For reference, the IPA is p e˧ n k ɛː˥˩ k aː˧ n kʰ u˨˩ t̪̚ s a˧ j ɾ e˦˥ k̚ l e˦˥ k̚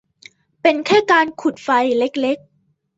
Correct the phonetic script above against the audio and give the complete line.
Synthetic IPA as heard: p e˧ n kʰ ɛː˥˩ k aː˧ n kʰ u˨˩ t̪̚ f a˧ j l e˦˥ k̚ l e˦˥ k̚